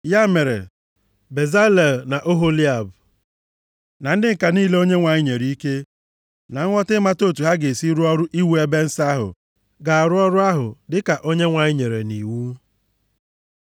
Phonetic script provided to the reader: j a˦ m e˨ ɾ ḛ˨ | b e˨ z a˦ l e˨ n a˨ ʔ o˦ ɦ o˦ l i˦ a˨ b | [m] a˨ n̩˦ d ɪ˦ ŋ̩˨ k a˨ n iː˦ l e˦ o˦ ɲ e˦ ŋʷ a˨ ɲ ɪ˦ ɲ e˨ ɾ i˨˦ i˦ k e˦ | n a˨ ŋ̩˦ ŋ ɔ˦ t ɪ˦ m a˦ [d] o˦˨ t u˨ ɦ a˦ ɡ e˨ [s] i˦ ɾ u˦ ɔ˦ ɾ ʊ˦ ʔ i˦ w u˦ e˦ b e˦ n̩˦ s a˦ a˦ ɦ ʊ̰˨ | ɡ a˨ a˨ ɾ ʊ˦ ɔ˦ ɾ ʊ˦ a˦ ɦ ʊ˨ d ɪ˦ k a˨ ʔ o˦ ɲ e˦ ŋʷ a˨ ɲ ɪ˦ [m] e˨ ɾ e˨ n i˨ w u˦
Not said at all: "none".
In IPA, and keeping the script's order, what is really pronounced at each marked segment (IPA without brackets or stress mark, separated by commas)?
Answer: n, t, s, ɲ